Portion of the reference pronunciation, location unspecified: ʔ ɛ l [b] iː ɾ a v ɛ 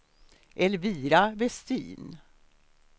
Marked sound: incorrect: v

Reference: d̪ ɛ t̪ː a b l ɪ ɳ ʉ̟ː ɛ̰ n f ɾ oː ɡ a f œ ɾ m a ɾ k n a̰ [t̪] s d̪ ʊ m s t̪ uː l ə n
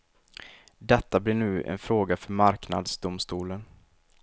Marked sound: incorrect: d̪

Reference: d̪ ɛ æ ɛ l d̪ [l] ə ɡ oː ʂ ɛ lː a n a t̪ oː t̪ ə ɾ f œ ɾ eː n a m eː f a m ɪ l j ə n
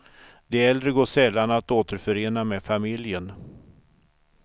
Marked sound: incorrect: ɾ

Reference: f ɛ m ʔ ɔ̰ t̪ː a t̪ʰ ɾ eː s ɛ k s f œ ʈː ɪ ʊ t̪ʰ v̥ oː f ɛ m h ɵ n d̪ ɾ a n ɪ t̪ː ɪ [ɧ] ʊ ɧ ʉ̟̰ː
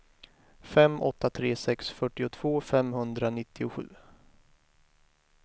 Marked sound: incorrect: none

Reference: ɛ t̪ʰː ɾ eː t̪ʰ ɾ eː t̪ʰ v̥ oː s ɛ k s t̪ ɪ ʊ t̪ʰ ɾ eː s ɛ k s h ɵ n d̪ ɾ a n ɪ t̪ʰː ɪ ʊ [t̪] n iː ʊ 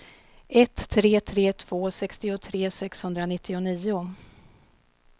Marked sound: incorrect: none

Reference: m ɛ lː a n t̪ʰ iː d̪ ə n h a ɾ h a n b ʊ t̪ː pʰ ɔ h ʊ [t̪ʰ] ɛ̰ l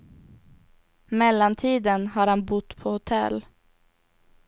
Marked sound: correct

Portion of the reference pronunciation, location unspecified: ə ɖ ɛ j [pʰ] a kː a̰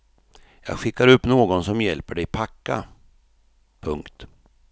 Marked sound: correct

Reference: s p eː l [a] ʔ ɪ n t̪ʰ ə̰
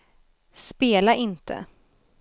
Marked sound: correct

